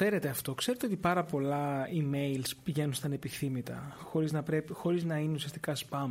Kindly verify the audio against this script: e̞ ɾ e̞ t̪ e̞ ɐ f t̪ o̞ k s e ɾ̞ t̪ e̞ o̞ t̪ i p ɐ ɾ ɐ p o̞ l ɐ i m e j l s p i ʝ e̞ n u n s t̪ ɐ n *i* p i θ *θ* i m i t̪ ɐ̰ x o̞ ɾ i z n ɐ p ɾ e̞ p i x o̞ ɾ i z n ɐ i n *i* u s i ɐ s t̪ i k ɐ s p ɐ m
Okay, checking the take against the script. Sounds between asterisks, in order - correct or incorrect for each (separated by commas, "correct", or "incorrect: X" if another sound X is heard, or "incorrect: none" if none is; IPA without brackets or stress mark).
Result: incorrect: e, correct, incorrect: e